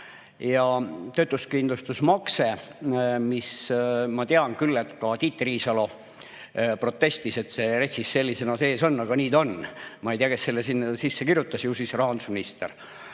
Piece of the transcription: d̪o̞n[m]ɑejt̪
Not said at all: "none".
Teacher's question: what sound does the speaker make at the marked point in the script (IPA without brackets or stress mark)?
m